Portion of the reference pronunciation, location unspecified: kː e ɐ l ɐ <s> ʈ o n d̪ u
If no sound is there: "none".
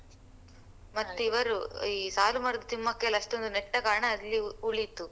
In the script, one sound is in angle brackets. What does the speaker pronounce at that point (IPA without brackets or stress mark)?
ʂ